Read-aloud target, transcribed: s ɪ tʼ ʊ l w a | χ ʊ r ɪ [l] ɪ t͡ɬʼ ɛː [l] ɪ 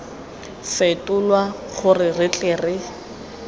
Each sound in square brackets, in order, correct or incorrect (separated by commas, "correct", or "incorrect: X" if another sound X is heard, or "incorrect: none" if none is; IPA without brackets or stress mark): incorrect: r, incorrect: r